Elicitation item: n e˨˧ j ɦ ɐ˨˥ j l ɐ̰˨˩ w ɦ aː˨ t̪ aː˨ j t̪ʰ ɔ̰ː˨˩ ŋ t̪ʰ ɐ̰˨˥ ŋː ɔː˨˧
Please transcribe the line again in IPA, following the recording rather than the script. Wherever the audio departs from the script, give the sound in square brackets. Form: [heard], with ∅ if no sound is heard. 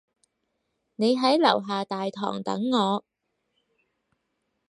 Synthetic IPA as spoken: n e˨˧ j ɦ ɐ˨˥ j l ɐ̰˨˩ w ɦ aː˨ t̪ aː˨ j t̪ʰ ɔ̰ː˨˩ ŋ [t̪] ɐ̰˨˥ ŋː ɔː˨˧